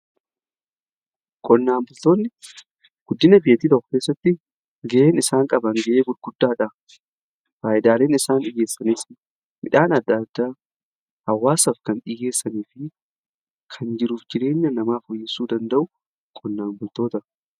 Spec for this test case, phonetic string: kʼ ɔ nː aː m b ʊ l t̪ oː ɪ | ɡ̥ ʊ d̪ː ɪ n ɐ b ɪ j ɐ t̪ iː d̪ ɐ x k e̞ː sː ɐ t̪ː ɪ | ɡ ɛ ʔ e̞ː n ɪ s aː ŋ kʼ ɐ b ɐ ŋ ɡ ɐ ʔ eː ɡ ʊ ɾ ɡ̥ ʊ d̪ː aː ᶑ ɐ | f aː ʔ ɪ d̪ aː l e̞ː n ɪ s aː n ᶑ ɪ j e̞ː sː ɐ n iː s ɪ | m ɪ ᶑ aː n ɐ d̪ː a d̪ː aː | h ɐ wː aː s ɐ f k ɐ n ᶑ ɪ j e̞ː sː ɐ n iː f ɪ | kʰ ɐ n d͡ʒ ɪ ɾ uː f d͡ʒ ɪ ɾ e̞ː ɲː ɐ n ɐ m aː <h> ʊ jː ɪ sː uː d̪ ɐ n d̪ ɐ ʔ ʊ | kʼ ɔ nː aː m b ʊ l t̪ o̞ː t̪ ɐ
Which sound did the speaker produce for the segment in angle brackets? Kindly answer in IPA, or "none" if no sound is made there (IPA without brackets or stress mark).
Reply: f